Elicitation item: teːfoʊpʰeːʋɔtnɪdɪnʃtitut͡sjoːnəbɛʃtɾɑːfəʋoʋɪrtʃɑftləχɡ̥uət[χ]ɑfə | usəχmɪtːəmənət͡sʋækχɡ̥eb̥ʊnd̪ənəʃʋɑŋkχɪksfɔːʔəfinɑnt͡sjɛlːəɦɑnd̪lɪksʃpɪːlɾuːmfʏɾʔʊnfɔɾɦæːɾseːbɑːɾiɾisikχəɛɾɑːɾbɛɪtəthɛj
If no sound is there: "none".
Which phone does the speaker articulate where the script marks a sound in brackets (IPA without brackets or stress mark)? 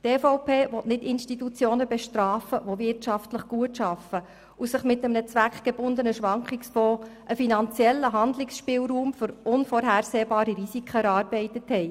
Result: ʃ